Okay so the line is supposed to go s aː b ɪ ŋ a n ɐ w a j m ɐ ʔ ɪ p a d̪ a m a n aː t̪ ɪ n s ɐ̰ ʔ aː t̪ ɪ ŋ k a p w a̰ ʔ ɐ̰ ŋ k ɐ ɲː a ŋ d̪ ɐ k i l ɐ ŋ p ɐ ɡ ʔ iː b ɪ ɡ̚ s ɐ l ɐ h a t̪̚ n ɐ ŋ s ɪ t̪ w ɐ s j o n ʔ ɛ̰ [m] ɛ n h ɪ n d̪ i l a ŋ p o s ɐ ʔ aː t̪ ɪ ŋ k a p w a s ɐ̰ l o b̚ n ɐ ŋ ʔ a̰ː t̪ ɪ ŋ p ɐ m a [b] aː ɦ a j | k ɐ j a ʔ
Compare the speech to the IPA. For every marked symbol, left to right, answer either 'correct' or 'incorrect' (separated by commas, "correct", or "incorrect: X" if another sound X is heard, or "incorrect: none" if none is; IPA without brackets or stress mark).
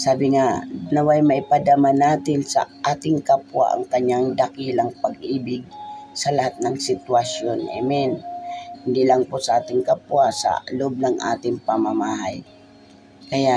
correct, incorrect: m